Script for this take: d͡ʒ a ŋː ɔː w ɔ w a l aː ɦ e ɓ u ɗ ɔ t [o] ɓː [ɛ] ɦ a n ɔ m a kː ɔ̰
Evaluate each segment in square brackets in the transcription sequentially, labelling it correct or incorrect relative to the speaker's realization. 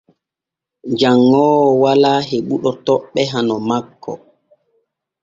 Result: incorrect: ɔ, correct

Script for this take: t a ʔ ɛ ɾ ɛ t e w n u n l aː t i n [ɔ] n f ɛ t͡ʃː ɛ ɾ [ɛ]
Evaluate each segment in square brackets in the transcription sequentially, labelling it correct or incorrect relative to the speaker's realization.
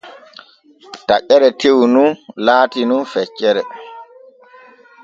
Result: incorrect: u, correct

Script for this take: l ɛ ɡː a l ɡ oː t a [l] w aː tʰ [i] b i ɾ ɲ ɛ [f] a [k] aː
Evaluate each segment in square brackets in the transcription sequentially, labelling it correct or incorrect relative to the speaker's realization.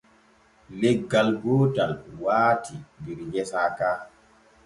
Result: correct, correct, incorrect: s, correct

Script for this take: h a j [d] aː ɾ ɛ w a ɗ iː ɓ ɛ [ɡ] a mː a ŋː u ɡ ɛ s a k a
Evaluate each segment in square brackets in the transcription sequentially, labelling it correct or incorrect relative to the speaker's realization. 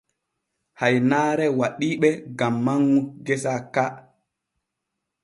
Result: incorrect: n, correct

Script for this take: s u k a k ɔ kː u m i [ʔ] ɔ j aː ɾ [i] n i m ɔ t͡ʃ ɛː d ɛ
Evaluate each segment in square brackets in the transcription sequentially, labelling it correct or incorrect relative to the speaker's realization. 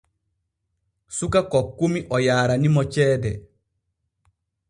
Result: correct, incorrect: a

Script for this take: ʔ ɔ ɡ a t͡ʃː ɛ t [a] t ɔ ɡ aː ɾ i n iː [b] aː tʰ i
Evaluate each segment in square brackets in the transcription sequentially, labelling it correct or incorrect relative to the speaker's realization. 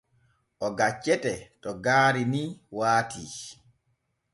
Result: incorrect: ɛ, incorrect: w

